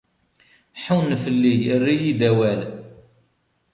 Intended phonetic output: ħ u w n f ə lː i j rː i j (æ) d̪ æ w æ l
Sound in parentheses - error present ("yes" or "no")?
yes